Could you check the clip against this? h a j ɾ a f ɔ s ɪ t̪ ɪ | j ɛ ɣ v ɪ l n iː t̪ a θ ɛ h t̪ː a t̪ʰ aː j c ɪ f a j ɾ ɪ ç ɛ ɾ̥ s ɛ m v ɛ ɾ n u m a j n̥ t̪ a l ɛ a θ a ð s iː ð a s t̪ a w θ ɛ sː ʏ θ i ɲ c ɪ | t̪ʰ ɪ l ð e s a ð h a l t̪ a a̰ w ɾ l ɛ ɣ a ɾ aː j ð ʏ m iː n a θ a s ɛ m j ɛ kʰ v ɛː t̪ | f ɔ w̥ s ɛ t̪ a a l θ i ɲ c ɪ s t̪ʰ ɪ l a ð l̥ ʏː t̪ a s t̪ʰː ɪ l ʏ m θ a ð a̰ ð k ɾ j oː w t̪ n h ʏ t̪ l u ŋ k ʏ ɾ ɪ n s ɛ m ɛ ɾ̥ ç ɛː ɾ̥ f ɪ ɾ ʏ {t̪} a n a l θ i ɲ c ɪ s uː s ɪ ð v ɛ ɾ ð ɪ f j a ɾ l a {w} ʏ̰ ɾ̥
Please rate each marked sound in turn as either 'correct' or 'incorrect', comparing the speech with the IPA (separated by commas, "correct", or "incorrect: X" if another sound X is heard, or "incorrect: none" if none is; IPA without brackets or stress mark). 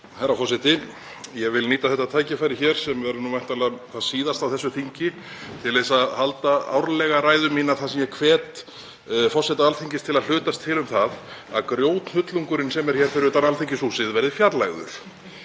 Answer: correct, incorrect: ɣ